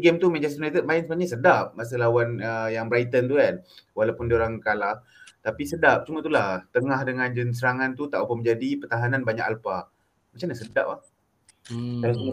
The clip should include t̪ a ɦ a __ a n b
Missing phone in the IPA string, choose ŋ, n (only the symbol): n